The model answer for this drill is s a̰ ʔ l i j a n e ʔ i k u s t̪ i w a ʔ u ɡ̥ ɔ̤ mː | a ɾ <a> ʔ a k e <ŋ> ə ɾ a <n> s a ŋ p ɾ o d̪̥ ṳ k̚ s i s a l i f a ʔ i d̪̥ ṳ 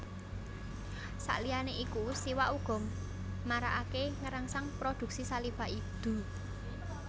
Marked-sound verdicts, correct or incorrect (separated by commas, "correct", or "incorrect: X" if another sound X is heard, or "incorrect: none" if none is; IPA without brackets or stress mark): correct, correct, incorrect: ŋ